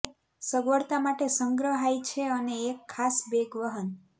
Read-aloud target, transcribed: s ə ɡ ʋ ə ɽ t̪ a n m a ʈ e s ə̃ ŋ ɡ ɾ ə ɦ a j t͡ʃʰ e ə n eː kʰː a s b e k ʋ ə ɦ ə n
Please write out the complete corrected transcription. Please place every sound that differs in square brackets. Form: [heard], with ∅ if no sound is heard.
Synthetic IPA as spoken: s ə ɡ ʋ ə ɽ t̪ a [∅] m a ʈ e s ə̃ ŋ ɡ ɾ ə ɦ a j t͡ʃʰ e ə n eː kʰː a s b e [ɡ] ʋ ə ɦ ə n